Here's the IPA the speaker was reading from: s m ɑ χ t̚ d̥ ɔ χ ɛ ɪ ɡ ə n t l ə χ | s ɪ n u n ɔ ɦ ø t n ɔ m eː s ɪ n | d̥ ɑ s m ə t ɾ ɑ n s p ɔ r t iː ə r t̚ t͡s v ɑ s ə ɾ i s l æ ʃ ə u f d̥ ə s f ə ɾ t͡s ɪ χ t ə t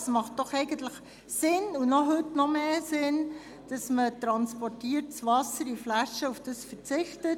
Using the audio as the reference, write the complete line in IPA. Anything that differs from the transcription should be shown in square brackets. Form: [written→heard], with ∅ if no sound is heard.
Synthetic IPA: s m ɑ χ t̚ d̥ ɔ χ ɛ ɪ ɡ ə n t l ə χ | s ɪ n u n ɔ ɦ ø t n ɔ m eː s ɪ n | d̥ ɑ s m ə t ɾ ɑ n s p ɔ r t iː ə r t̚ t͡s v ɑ s ə ɾ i [s→f] l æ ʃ ə u f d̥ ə s f ə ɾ t͡s ɪ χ t ə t